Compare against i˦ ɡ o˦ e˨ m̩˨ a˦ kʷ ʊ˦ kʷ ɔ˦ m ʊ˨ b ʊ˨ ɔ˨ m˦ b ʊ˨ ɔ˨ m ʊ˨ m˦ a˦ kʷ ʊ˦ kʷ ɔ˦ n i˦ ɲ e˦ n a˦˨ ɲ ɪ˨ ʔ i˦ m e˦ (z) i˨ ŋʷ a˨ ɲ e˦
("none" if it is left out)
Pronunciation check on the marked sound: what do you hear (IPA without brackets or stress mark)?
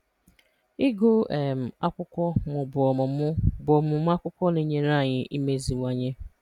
z